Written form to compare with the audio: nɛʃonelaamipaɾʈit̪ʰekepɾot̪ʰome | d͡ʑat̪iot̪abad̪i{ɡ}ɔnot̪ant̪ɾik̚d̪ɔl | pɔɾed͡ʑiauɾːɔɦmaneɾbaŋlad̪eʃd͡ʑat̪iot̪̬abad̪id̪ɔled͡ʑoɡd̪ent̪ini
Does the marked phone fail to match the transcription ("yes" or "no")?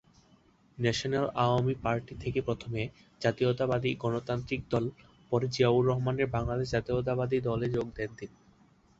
no